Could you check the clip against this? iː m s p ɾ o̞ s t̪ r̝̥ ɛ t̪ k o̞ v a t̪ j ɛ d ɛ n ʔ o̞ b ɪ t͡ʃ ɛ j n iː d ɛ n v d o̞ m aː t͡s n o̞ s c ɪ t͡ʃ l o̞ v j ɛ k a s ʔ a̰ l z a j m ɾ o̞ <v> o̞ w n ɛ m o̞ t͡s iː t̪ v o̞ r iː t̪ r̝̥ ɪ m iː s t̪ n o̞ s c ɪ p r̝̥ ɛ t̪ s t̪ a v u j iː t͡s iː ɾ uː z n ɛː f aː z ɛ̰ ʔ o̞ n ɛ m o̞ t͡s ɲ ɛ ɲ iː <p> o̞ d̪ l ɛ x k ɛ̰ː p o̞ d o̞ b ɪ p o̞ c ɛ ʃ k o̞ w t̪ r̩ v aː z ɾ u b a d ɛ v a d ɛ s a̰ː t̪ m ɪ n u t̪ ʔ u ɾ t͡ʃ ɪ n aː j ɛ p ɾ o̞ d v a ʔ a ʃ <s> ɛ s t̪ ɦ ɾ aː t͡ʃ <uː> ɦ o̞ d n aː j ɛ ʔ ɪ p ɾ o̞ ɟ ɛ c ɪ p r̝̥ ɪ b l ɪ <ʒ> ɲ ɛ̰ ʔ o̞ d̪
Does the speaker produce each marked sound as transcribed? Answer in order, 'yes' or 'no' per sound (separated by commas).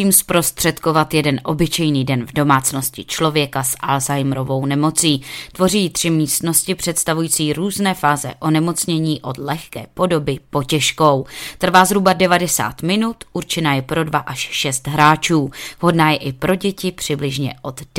yes, no, no, yes, yes